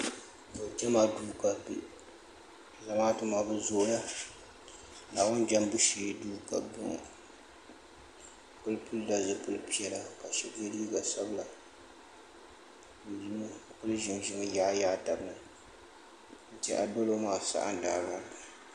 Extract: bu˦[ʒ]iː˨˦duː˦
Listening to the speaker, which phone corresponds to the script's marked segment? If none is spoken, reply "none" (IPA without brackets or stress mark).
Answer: ʃ